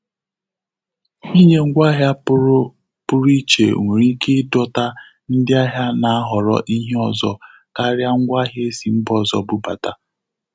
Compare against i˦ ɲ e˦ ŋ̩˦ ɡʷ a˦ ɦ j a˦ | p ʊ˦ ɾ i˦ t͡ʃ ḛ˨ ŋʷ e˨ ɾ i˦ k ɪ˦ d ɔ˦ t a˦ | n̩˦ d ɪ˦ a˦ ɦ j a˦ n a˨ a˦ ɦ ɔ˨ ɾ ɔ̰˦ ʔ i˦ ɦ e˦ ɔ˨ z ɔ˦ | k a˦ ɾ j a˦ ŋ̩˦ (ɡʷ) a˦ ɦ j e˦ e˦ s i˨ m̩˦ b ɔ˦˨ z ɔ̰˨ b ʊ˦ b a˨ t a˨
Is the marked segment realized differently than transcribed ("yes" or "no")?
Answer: no